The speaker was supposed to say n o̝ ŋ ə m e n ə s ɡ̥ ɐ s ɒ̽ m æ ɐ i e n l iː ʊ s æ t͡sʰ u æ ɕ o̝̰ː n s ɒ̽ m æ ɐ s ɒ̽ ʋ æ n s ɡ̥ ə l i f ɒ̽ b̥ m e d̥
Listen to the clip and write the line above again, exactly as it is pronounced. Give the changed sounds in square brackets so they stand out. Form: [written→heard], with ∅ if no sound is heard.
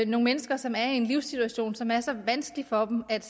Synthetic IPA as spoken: n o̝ ŋ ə m e n ə s ɡ̥ ɐ s ɒ̽ m æ ɐ i e n l [iː→i] ʊ s [æ→i] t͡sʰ u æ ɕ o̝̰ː n s ɒ̽ m æ ɐ s ɒ̽ ʋ æ n s ɡ̥ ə l i f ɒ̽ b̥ m [e→æ] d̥

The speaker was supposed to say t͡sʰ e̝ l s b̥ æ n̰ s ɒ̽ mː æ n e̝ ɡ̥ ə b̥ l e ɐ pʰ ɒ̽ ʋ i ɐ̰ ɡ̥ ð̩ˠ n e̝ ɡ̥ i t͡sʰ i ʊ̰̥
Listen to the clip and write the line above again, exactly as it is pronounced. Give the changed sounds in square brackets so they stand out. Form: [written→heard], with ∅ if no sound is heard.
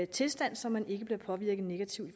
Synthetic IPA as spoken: t͡sʰ e̝ l s [b̥→d̥] æ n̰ s ɒ̽ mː æ n e̝ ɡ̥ ə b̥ l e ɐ pʰ ɒ̽ ʋ i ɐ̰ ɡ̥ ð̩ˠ n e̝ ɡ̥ [i→æ] t͡sʰ i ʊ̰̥

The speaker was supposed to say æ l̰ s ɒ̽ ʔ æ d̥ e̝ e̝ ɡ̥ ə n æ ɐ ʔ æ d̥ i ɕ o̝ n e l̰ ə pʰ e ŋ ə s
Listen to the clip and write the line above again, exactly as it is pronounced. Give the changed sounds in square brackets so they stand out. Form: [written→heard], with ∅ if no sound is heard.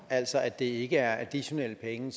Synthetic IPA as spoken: æ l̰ s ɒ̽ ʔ æ d̥ e̝ e̝ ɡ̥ ə [n→∅] æ ɐ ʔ æ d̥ i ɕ o̝ n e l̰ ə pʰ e ŋ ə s

